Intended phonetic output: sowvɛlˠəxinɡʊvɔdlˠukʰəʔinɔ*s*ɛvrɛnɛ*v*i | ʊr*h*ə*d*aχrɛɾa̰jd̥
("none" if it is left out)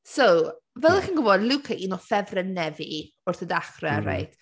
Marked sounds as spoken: f, v, θ, d

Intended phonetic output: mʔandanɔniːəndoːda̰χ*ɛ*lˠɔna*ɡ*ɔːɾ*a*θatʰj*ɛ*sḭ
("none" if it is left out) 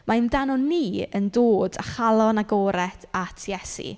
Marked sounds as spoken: a, ɡ, ɛ, ɛ

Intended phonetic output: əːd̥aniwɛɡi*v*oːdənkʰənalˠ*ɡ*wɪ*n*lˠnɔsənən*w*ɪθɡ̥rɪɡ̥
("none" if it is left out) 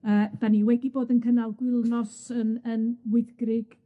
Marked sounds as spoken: b, ɡ, none, w

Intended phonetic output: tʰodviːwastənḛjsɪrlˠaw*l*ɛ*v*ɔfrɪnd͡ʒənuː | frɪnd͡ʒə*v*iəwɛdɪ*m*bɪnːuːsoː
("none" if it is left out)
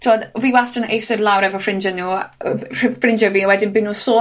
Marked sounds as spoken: ɾ, v, v, n

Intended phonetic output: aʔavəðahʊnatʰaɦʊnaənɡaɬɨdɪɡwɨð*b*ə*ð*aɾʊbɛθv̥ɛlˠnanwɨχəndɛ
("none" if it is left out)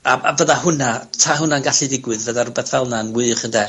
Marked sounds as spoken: v, ð

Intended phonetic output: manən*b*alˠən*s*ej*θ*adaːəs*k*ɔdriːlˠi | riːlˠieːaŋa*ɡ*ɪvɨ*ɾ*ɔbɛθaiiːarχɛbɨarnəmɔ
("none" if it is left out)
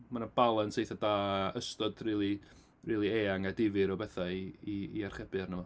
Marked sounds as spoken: b, s, θ, t, d, ɾ

